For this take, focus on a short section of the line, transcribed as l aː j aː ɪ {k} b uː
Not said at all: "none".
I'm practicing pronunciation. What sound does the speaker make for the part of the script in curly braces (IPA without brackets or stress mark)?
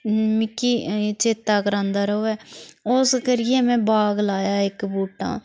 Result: k